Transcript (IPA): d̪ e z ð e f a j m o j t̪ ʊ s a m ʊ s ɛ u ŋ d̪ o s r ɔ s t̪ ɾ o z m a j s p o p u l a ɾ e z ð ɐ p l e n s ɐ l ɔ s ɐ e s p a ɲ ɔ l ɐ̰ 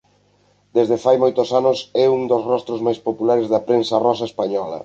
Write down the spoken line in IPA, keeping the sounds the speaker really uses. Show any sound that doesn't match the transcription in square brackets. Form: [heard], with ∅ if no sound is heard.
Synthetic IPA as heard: d̪ e z ð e f a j m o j t̪ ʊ s a [n] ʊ s ɛ u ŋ d̪ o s r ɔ s t̪ ɾ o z m a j s p o p u l a ɾ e z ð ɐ p [ɾ] e n s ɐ [r] ɔ s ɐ e s p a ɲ ɔ l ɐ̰